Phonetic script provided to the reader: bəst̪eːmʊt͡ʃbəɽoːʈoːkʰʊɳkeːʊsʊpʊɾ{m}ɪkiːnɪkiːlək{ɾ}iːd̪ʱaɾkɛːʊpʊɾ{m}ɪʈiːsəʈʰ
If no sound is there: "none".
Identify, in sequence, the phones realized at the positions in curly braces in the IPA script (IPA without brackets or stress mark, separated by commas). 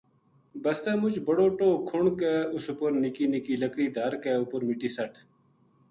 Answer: n, ɽ, m